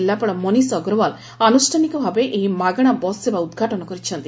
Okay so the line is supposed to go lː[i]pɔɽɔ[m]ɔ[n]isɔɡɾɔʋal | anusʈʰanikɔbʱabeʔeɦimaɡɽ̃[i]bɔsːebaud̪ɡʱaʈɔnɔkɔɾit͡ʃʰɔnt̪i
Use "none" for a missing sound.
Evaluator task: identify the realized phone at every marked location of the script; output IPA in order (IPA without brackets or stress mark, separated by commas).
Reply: a, m, n, a